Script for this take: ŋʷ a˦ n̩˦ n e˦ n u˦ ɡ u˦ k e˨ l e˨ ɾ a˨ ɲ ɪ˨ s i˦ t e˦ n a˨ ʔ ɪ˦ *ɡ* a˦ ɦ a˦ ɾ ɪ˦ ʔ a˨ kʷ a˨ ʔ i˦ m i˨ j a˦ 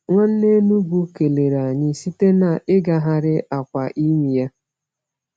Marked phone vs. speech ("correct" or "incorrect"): correct